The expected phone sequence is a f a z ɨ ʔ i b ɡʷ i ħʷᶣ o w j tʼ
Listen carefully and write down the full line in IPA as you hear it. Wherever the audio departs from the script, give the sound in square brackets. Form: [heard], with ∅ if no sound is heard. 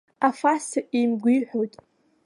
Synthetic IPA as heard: a f a [s] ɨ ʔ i [m] ɡʷ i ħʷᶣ o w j tʼ